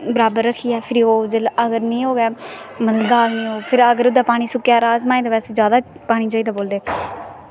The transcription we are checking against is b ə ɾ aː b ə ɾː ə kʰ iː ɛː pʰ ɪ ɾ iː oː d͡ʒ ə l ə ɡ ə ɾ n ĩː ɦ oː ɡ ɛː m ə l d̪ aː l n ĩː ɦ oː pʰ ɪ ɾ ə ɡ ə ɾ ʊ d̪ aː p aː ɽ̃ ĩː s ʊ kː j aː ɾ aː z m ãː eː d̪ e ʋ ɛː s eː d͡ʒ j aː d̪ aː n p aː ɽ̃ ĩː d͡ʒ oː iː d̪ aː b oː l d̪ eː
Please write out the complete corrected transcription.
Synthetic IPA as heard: b ə ɾ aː b ə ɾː ə kʰ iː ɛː pʰ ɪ ɾ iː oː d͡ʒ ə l ə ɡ ə ɾ n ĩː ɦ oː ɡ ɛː m ə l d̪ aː l n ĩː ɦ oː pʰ ɪ ɾ ə ɡ ə ɾ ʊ d̪ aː p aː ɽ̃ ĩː s ʊ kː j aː ɾ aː z m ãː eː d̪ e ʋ ɛː s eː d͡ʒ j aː d̪ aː p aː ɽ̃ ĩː d͡ʒ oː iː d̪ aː b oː l d̪ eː